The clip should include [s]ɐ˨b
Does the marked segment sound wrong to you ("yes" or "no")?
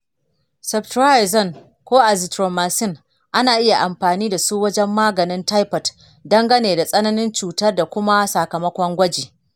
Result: no